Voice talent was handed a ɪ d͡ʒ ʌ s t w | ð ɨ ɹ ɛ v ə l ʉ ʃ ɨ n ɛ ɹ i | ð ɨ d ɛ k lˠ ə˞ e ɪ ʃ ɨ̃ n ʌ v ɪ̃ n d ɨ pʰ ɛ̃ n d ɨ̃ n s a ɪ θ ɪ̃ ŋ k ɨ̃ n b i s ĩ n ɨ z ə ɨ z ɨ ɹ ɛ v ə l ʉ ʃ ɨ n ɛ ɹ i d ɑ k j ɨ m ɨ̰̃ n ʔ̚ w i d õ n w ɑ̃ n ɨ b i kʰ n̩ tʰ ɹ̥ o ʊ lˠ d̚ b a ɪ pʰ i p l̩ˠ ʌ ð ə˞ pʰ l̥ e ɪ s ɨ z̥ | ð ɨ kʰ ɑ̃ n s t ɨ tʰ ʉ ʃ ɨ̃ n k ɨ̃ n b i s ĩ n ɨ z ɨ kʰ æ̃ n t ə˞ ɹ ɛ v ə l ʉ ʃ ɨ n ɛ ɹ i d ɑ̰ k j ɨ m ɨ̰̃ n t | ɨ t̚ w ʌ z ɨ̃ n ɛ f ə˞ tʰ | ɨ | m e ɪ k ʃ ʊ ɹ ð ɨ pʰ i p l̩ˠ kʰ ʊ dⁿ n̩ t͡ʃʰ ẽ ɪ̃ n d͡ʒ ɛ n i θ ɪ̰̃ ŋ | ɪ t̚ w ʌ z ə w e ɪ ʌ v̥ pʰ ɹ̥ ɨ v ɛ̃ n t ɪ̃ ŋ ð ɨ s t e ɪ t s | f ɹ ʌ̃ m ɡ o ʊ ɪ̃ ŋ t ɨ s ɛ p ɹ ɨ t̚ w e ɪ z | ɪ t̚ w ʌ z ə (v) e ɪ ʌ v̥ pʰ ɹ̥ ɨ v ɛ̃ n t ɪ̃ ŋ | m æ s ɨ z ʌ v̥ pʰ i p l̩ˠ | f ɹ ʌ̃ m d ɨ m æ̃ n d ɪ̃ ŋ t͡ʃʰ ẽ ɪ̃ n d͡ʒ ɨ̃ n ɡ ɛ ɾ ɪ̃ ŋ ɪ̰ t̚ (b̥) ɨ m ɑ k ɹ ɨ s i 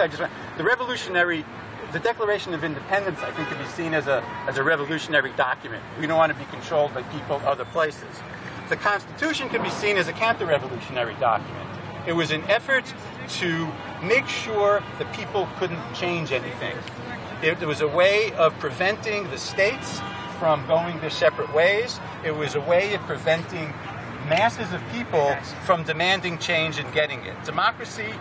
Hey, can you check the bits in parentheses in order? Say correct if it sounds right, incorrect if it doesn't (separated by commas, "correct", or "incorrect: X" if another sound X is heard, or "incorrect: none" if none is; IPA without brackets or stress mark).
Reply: incorrect: w, incorrect: d̥